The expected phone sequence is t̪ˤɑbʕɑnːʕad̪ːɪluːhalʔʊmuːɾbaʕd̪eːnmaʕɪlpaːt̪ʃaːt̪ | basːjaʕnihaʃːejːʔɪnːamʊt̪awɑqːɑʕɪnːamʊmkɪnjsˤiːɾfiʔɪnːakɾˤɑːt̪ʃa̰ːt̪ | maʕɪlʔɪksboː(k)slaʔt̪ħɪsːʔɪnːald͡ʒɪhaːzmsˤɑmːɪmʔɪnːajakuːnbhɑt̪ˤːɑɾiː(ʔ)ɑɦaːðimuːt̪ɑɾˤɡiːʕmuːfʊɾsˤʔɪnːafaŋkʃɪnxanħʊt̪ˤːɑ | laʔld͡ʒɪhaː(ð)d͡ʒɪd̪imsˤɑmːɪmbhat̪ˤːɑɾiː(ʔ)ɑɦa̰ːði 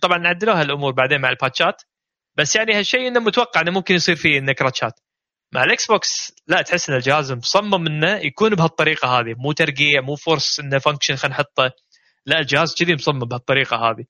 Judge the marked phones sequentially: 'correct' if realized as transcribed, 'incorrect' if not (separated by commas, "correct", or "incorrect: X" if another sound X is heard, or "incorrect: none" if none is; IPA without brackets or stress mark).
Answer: correct, incorrect: q, incorrect: z, incorrect: q